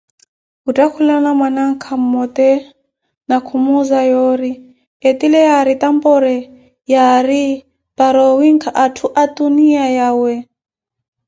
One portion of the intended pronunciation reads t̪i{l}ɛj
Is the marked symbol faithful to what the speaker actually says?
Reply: yes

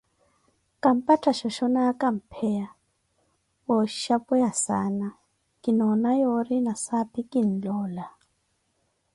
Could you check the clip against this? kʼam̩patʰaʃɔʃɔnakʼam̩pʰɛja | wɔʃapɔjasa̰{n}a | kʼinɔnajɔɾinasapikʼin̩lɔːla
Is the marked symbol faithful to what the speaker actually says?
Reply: yes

